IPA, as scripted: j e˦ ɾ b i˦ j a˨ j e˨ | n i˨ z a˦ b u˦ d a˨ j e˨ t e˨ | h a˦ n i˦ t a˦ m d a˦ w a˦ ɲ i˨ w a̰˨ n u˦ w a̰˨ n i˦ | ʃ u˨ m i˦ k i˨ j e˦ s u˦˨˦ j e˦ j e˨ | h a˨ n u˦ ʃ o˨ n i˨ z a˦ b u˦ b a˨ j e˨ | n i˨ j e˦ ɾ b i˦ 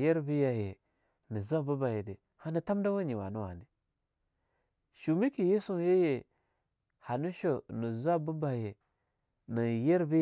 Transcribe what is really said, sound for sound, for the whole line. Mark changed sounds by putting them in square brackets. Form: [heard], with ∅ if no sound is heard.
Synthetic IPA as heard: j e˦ ɾ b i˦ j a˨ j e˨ | n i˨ z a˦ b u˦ [b] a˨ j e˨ [d] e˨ | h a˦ n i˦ t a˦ m d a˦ w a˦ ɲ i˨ w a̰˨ n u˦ w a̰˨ n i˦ | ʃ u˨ m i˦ k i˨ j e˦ s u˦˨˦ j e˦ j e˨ | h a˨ n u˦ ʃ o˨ n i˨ z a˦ b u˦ b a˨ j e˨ | n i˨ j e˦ ɾ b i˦